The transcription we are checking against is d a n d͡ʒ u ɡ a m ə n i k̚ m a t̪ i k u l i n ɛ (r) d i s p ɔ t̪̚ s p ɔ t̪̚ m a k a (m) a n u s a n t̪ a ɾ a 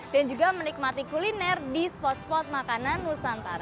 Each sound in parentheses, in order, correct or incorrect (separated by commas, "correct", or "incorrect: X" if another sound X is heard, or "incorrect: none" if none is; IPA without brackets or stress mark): correct, incorrect: n